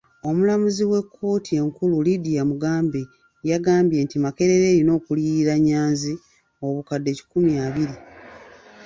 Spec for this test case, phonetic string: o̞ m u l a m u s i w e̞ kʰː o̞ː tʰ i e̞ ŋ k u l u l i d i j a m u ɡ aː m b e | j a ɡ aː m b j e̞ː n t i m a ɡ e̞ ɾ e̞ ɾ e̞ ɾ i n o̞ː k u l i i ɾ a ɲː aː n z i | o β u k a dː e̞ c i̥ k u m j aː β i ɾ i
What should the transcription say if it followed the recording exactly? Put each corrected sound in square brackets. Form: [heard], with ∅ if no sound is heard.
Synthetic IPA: o̞ m u l a m u [z] i w e̞ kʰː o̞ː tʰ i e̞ ŋ k u l u l i d i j a m u ɡ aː m b e | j a ɡ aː m b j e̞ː n t i m a [k] e̞ ɾ e̞ ɾ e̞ ɾ i n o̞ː k u l i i ɾ a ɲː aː n z i | o β u k a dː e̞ c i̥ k u m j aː β i ɾ i